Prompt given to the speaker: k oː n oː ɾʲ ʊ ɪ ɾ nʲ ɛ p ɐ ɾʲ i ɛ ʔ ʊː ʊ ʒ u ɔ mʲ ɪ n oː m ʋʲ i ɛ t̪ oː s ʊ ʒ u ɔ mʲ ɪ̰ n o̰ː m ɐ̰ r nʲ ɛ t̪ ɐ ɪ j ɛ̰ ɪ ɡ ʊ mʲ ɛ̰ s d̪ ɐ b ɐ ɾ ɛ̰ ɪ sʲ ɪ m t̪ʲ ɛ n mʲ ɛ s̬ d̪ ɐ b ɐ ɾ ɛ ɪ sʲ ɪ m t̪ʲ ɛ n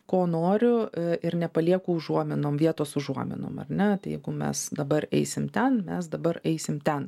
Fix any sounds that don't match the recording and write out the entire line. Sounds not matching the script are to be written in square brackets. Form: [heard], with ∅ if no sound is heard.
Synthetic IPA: k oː n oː ɾʲ ʊ ɪ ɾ nʲ ɛ p ɐ [lʲ] i ɛ [k] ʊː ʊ ʒ u ɔ mʲ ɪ n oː m ʋʲ i ɛ t̪ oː s ʊ ʒ u ɔ mʲ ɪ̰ n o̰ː m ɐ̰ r nʲ ɛ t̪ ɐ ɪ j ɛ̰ ɪ ɡ ʊ mʲ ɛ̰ s d̪ ɐ b ɐ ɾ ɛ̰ ɪ sʲ ɪ m t̪ʲ ɛ n mʲ ɛ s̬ d̪ ɐ b ɐ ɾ ɛ ɪ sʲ ɪ m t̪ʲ ɛ n